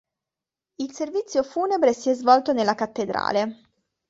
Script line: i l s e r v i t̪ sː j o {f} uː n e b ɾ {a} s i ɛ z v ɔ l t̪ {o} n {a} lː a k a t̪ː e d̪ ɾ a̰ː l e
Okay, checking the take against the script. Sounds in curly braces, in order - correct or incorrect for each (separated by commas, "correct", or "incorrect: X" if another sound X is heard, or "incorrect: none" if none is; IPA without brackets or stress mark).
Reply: correct, incorrect: e, correct, incorrect: e